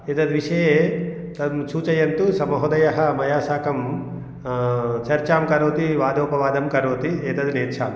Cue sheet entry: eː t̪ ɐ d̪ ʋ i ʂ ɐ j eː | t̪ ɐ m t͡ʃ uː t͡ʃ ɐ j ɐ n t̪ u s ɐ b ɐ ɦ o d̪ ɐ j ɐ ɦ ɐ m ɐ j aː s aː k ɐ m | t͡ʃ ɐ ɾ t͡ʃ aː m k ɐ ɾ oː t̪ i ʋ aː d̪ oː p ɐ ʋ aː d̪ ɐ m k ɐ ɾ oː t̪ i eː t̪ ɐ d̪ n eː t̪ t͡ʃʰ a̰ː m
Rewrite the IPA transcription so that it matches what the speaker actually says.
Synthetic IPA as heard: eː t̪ ɐ d̪ ʋ i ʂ ɐ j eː | t̪ ɐ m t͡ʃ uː t͡ʃ ɐ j ɐ n t̪ u s ɐ m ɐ ɦ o d̪ ɐ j ɐ ɦ ɐ m ɐ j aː s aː k ɐ m | t͡ʃ ɐ ɾ t͡ʃ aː m k ɐ ɾ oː t̪ i ʋ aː d̪ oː p ɐ ʋ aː d̪ ɐ m k ɐ ɾ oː t̪ i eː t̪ ɐ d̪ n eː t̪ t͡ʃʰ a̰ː m